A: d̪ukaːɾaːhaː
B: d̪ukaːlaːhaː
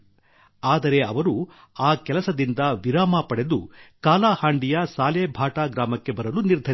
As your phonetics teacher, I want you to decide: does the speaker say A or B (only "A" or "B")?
B